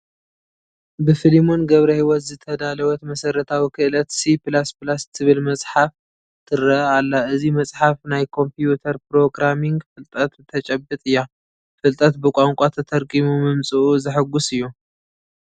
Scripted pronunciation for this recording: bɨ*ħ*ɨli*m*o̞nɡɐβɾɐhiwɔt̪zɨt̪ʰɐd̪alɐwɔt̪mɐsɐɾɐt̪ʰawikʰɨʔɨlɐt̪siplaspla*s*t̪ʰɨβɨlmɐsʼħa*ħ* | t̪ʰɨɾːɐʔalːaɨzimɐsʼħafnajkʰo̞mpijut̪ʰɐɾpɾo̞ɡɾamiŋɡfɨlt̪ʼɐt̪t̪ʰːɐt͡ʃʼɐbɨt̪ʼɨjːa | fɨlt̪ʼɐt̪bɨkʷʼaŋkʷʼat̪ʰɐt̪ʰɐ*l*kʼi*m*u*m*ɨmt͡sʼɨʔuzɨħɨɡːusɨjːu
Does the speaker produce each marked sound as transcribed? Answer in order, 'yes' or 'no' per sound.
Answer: no, yes, yes, no, no, yes, yes

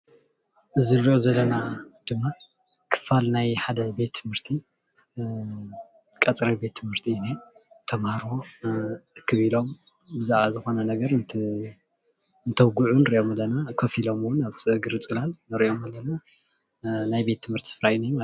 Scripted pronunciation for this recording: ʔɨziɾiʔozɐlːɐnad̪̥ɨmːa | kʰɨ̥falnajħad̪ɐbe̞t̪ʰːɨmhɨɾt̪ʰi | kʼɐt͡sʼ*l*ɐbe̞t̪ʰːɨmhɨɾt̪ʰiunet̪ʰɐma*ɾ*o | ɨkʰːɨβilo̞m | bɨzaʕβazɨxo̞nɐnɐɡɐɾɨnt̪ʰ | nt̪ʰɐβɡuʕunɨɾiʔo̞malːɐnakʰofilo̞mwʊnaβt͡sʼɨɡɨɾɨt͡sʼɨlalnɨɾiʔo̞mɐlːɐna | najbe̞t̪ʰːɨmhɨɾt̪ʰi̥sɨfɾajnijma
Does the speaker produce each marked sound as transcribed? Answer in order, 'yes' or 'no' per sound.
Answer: no, yes

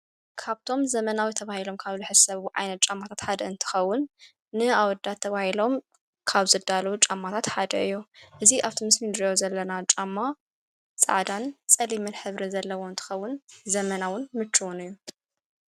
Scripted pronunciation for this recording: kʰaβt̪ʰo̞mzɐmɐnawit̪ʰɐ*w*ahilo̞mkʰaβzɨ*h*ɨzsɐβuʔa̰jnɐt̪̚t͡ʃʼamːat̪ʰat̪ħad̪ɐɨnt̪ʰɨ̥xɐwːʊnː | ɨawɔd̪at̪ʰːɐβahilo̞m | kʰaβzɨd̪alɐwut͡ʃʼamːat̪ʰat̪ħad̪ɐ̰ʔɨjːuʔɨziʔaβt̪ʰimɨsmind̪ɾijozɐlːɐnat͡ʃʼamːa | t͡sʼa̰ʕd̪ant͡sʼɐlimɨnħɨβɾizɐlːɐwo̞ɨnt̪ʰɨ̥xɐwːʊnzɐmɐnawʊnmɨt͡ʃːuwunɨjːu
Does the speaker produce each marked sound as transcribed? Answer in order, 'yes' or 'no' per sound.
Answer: no, no

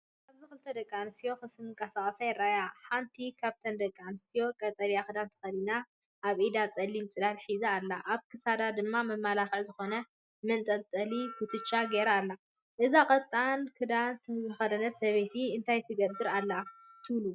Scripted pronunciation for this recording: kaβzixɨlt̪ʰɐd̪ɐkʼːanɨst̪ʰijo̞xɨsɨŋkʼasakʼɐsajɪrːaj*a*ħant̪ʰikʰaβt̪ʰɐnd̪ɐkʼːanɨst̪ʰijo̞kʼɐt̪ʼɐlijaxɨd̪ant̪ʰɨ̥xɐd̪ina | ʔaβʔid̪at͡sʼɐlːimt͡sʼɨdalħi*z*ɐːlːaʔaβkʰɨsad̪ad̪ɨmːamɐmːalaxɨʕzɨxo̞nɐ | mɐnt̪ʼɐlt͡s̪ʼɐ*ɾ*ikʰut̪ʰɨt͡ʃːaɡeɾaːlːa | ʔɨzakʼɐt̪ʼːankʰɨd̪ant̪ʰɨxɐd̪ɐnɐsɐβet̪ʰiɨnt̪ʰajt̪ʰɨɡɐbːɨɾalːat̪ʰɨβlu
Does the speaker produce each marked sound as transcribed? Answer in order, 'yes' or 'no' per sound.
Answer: yes, yes, no

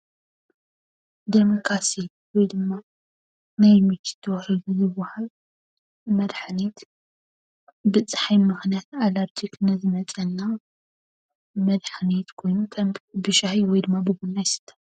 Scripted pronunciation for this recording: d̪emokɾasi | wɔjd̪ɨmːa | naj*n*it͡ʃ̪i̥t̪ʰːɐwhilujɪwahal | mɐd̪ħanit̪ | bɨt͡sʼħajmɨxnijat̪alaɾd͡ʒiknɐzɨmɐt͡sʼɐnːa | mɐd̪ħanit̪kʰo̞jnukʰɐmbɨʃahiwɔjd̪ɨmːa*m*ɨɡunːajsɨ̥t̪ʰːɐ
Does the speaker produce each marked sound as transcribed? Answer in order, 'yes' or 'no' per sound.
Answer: no, no

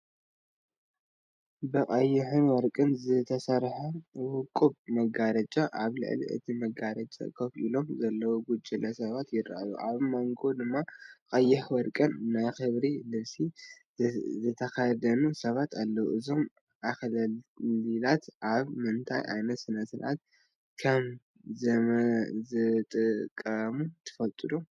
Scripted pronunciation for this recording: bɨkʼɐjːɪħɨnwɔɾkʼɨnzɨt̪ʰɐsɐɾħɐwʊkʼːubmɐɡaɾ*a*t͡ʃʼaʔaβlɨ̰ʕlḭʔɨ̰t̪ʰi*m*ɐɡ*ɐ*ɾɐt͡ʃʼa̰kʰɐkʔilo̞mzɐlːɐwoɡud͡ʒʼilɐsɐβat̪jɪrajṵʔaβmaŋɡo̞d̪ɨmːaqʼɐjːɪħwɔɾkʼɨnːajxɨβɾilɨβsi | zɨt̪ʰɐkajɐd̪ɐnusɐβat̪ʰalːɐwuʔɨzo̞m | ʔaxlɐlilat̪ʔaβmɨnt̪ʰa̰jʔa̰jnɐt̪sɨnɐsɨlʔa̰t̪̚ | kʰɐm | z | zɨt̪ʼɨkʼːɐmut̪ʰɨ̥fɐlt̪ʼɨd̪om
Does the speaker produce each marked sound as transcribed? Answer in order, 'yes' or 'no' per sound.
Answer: no, yes, no

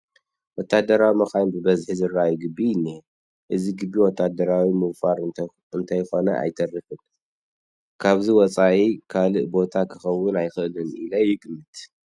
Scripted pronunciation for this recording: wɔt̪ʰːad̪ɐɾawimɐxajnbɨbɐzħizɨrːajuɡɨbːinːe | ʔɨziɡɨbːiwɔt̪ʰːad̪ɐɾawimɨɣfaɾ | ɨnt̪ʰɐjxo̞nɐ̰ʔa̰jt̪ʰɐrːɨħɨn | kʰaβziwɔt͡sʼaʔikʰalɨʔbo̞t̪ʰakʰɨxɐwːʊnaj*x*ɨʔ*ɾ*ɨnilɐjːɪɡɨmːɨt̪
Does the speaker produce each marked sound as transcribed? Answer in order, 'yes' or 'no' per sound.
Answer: yes, no

